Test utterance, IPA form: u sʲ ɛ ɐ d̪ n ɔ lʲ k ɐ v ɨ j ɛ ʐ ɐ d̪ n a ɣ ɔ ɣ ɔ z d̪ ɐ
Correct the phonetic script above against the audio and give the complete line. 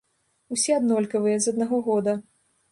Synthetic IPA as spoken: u sʲ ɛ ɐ d̪ n ɔ lʲ k ɐ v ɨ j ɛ z ɐ d̪ n a ɣ ɔ ɣ ɔ d̪ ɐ

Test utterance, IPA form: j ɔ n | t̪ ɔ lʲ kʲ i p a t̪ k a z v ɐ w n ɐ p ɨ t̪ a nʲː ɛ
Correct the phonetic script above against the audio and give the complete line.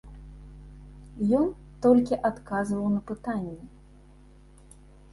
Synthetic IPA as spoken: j ɔ n | t̪ ɔ lʲ kʲ i ʔ a t̪ k a z v ɐ w n ɐ p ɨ t̪ a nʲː ɛ

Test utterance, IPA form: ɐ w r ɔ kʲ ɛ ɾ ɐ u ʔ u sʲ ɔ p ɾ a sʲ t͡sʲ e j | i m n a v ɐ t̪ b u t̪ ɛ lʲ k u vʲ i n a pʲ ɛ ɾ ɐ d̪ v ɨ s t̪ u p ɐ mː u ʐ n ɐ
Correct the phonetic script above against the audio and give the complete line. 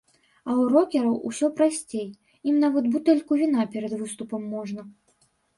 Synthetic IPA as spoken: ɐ w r ɔ kʲ ɛ ɾ ɐ w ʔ u sʲ ɔ p ɾ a sʲ t͡sʲ e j | i m n a v ɐ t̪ b u t̪ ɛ lʲ k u vʲ i n a pʲ ɛ ɾ ɐ d̪ v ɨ s t̪ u p ɐ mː ɔ ʐ n ɐ

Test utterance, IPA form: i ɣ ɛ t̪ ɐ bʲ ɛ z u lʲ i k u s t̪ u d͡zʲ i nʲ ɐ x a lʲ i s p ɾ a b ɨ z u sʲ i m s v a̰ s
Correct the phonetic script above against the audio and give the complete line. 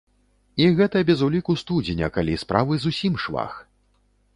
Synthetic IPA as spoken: i ɣ ɛ t̪ ɐ bʲ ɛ z u lʲ i k u s t̪ u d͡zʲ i nʲ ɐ k a lʲ i s p ɾ a v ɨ z u sʲ i m ʂ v a̰ x

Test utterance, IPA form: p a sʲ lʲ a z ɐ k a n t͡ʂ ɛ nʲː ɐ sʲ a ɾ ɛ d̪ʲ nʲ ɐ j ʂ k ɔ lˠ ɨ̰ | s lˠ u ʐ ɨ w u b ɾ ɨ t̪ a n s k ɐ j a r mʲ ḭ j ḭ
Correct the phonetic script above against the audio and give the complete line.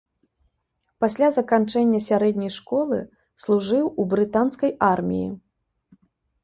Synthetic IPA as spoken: p a sʲ lʲ a z ɐ k a n t͡ʂ ɛ nʲː ɐ sʲ a ɾ ɛ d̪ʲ nʲ ɐ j ʂ k ɔ lˠ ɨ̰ | s lˠ u ʐ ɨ w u b ɾ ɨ t̪ a n s k ɐ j a r mʲ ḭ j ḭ

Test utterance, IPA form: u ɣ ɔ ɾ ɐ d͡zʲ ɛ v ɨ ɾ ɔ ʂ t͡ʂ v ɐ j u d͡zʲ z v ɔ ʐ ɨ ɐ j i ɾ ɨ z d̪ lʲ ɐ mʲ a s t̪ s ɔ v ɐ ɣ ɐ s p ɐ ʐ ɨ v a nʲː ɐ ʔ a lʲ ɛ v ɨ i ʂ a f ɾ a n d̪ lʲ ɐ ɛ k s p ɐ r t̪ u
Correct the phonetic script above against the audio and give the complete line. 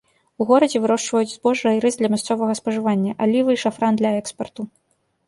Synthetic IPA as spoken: u ɣ ɔ ɾ ɐ d͡zʲ ɛ v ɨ ɾ ɔ ʂ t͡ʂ v ɐ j u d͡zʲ z b ɔ ʐ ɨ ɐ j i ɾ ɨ z d̪ lʲ ɐ mʲ a s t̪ s ɔ v ɐ ɣ ɐ s p ɐ ʐ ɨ v a nʲː ɐ ʔ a lʲ i v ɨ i ʂ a f ɾ a n d̪ lʲ ɐ ɛ k s p ɐ r t̪ u

